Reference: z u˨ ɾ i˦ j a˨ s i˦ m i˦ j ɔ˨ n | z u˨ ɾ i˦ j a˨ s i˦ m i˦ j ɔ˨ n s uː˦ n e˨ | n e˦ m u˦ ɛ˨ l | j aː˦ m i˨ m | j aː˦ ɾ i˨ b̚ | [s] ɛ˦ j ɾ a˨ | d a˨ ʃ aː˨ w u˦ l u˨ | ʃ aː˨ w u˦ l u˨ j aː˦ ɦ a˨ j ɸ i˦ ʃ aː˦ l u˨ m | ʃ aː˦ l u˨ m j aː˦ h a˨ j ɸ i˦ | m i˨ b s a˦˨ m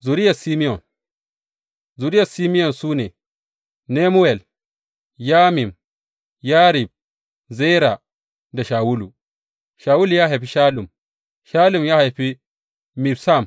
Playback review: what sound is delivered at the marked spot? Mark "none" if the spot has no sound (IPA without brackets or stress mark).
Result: z